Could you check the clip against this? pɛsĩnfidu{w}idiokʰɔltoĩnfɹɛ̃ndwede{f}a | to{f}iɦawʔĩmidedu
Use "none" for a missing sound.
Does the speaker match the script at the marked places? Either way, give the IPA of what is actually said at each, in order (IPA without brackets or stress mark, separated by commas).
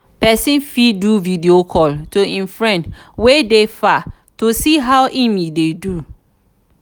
v, f, s